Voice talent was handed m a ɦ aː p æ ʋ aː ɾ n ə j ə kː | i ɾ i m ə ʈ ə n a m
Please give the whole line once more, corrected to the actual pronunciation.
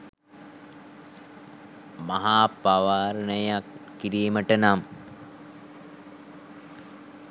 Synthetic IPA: m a ɦ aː p a ʋ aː ɾ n ə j a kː | i ɾ iː m ə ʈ ə n a m